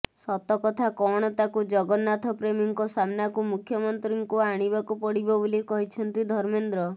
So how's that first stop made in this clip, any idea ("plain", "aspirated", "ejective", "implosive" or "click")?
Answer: plain